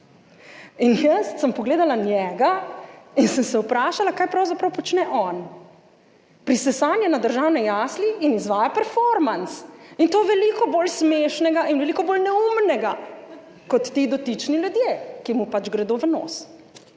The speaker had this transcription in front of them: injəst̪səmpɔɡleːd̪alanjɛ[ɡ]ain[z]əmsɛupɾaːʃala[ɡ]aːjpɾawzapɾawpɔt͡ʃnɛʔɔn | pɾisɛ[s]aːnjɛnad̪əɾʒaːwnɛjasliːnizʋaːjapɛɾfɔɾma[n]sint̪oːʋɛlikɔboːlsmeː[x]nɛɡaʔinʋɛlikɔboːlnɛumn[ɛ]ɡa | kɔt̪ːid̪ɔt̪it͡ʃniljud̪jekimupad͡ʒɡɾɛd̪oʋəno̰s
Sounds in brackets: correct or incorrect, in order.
correct, incorrect: s, incorrect: k, correct, correct, incorrect: ʃ, correct

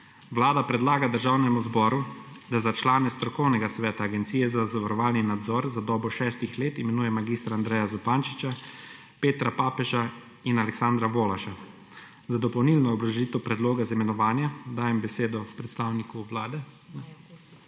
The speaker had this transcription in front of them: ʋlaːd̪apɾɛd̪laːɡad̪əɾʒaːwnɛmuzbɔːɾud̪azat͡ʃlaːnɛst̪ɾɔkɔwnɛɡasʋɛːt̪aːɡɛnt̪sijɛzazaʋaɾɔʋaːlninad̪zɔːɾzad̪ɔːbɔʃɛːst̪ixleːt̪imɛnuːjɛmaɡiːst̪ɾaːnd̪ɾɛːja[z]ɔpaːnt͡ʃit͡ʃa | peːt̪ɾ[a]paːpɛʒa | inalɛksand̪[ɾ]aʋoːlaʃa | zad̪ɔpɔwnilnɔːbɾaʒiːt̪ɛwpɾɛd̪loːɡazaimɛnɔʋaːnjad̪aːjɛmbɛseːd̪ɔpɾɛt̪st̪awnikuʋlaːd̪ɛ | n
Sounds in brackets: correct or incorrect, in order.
correct, correct, correct

